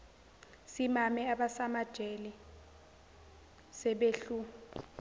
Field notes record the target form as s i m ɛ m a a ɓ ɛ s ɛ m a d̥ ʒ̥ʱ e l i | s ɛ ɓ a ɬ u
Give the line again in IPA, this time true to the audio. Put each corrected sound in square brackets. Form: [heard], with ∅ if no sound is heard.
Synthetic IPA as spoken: s i m [a] m [ɛ] a ɓ [a] s [a] m a d̥ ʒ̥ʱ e l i | s ɛ ɓ [e] ɬ u